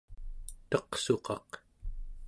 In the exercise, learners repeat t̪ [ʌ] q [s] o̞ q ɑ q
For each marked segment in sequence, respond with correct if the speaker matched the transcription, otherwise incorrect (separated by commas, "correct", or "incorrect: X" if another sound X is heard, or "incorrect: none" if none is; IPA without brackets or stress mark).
correct, correct